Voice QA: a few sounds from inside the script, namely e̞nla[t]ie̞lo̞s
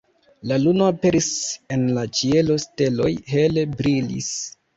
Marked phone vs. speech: incorrect: t͡ʃ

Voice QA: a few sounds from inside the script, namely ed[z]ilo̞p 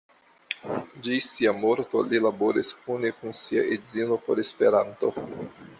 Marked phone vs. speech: correct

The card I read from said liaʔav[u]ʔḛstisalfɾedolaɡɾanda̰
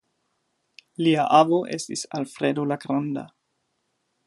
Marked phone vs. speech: incorrect: o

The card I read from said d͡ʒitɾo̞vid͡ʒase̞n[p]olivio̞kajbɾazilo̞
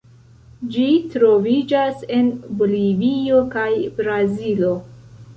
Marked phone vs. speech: incorrect: b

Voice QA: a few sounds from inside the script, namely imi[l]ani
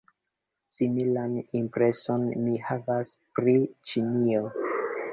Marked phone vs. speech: correct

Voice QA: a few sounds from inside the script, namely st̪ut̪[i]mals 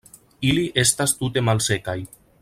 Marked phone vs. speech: incorrect: e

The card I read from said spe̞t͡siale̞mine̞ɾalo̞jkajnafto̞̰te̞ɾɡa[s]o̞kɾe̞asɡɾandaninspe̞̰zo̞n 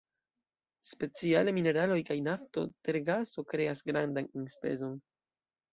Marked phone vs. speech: correct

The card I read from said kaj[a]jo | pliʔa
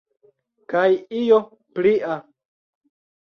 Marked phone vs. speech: incorrect: i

